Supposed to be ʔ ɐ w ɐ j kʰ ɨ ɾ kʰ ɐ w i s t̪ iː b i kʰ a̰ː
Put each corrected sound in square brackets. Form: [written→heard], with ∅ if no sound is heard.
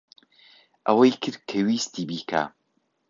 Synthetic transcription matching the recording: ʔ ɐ w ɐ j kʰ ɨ ɾ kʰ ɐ w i s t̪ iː b i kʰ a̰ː